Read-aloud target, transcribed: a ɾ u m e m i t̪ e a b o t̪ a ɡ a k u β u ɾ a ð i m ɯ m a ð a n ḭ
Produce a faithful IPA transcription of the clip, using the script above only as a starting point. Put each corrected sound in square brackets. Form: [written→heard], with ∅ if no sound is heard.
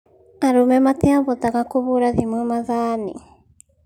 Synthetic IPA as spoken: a ɾ u m e m [i→a] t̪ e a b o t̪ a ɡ a k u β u ɾ a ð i m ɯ m a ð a n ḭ

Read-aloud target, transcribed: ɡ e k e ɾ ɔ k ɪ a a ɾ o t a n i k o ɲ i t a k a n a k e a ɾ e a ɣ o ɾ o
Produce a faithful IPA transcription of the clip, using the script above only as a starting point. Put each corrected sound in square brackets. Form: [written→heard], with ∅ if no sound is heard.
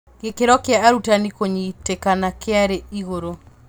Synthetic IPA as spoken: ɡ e k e ɾ ɔ k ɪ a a ɾ [o→u] t a n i k o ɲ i t [a→e] k a n a k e a ɾ e [a→i] ɣ o ɾ o

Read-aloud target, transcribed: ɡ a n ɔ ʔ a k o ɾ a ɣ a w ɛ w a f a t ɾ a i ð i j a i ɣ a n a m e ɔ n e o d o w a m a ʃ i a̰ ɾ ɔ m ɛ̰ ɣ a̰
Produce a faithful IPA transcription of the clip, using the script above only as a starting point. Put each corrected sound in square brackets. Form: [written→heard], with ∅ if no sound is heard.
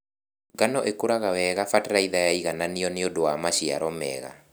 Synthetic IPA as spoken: ɡ a n ɔ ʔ [a→e] k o ɾ a ɣ a w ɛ [w→ɣ] a f a t ɾ a i ð [i→a] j a i ɣ a n a [m→n] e ɔ n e o d o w a m a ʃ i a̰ ɾ ɔ m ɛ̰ ɣ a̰

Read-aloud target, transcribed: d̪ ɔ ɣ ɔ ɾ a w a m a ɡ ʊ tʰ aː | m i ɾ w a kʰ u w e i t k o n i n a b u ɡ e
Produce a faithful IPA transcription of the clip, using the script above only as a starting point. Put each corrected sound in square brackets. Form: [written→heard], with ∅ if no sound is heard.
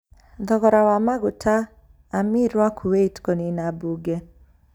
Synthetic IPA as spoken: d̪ ɔ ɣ ɔ ɾ a w a m a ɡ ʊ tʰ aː | m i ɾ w a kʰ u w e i t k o n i n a b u ɡ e

